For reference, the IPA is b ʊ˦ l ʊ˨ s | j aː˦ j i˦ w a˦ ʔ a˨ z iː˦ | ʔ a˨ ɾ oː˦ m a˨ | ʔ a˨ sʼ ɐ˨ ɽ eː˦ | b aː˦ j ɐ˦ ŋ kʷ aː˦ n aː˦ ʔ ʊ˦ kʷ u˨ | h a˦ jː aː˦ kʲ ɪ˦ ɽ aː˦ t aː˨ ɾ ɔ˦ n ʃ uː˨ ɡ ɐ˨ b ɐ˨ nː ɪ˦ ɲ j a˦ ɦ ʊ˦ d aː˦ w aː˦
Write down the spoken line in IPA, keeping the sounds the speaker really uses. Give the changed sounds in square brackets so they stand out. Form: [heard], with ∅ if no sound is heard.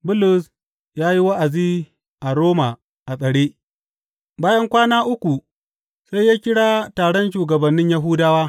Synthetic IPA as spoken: b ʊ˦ l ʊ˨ s | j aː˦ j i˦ w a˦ ʔ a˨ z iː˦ | ʔ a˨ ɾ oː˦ m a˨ | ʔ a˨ sʼ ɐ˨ ɽ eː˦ | b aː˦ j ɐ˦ ŋ kʷ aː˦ n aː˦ ʔ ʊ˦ kʷ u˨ | [s] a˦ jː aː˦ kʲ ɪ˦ ɽ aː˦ t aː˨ [ɽ] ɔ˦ n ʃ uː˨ ɡ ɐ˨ b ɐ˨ nː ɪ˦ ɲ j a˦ ɦ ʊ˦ d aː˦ w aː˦

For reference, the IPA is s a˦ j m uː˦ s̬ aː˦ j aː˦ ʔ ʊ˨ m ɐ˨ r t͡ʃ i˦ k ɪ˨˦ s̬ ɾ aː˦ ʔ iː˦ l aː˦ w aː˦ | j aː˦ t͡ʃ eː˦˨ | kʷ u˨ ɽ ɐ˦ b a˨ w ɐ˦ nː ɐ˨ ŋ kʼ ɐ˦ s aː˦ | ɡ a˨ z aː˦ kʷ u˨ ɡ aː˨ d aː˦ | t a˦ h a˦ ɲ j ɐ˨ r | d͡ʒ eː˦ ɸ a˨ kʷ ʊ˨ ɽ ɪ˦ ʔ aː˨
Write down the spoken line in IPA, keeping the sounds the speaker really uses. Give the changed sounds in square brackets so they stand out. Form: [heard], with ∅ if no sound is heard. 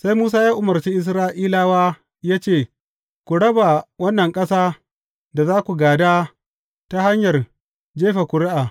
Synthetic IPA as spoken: s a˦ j m uː˦ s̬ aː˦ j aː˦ ʔ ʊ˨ m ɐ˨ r t͡ʃ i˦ [ʔ] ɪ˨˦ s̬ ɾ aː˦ ʔ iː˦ l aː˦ w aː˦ | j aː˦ t͡ʃ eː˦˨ | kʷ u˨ ɽ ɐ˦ b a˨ w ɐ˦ nː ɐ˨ ŋ kʼ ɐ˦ s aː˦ | [d] a˨ z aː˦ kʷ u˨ ɡ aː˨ d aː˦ | t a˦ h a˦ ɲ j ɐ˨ r | d͡ʒ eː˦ ɸ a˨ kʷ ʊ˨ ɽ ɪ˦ ʔ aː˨

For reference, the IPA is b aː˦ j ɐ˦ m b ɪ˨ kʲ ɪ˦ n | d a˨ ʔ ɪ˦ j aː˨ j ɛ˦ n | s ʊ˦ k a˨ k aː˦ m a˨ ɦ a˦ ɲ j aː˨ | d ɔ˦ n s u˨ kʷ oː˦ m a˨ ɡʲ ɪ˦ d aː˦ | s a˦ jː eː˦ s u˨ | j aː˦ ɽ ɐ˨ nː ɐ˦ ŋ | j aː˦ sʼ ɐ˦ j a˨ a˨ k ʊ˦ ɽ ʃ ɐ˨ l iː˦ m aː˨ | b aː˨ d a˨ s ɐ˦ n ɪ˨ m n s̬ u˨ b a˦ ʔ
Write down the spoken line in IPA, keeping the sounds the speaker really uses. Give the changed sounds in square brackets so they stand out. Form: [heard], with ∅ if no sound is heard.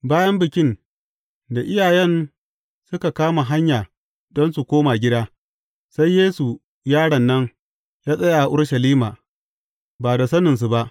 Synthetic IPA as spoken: b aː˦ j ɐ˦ m b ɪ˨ kʲ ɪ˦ n | d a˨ ʔ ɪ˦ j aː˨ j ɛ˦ n | s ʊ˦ k a˨ k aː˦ m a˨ ɦ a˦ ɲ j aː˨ | d ɔ˦ n s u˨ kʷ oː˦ m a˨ ɡʲ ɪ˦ d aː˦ | s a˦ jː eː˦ s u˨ | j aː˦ ɽ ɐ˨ nː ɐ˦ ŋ | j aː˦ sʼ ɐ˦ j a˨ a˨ [ʔ] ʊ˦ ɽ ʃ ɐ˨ l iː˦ m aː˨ | b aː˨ d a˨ s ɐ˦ n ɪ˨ [∅] n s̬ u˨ b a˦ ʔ

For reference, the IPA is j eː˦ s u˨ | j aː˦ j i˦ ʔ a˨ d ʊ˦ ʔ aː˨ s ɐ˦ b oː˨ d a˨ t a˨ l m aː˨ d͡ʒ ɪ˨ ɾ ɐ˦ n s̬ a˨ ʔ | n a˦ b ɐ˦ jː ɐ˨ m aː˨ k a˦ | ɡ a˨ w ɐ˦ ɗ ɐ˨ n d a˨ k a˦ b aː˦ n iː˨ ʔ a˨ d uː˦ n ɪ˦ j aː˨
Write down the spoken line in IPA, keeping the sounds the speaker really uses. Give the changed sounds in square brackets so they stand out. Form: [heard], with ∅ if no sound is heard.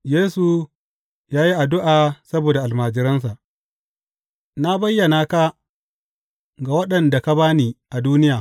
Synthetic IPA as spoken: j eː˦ s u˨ | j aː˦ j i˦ ʔ a˨ d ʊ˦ ʔ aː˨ s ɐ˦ b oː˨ d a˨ [ʔ] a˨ l m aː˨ d͡ʒ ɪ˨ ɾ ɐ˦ n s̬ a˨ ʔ | n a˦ b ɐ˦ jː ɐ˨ [n] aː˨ k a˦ | ɡ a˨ w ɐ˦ ɗ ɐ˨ n d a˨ k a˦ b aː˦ n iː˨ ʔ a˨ d uː˦ n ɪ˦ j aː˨

